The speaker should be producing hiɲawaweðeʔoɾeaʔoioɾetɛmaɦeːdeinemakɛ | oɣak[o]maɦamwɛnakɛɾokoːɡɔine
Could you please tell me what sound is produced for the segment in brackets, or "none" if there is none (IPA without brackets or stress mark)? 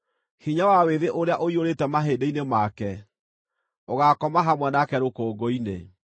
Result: ɔ